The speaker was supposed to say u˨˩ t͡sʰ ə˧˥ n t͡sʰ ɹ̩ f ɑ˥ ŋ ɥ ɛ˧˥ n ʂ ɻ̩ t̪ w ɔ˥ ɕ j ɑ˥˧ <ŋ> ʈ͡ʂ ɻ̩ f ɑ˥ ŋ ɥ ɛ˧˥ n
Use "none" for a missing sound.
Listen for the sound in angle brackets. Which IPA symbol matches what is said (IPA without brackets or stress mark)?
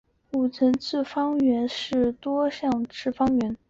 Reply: ŋ